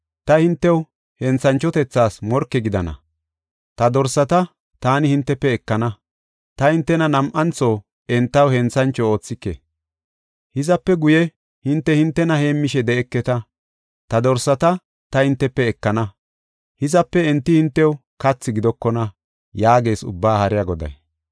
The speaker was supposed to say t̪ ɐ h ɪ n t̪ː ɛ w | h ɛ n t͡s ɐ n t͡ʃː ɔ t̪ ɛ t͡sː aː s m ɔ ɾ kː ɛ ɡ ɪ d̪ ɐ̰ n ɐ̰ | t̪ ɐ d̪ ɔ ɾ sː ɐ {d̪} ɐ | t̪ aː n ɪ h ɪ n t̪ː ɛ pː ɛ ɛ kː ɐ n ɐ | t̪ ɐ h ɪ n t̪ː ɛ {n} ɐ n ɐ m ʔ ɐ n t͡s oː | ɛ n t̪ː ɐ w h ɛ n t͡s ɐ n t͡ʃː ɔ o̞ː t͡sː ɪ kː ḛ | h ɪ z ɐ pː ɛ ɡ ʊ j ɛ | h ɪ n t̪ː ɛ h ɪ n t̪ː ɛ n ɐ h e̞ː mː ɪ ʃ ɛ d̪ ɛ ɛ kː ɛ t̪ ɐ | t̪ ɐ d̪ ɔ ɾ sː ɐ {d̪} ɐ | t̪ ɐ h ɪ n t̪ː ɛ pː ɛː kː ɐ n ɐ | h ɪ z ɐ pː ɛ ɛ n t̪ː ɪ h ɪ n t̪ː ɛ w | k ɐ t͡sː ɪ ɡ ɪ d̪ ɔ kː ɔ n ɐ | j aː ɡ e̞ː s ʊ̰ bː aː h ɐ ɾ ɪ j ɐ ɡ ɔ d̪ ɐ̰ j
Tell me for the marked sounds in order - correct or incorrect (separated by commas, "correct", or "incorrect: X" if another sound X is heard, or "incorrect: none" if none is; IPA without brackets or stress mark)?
incorrect: t̪, correct, incorrect: t̪